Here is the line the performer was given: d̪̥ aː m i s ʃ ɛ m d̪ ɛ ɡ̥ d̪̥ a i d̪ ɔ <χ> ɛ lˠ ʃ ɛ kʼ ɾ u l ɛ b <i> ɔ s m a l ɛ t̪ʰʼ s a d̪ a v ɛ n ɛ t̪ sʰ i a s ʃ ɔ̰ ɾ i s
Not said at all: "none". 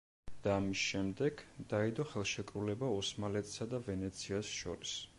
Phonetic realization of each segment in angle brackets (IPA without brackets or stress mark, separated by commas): χ, a